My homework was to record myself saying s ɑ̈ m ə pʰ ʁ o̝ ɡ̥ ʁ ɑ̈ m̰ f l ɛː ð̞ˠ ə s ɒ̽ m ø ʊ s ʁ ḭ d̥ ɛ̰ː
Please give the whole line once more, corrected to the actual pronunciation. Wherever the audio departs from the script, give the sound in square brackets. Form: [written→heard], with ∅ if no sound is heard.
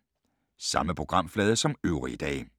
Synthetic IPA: s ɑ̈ m ə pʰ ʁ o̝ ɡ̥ ʁ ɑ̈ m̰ f l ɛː ð̞ˠ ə s ɒ̽ m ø ʊ [s→∅] ʁ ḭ d̥ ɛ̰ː